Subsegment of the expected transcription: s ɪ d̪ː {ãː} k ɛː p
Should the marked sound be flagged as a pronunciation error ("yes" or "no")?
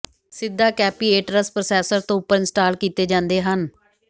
yes